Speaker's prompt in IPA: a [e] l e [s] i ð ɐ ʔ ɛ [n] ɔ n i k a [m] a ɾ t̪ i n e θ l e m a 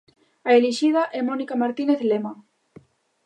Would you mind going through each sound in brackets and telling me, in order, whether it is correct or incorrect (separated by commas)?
correct, incorrect, incorrect, correct